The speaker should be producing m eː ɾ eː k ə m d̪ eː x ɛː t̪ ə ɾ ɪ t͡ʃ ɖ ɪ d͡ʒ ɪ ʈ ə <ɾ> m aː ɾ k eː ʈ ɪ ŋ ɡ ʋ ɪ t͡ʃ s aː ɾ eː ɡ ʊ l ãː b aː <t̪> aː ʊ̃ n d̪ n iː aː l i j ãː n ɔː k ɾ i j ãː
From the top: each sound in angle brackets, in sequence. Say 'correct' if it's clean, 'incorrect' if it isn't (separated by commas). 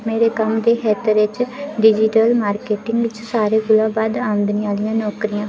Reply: incorrect, incorrect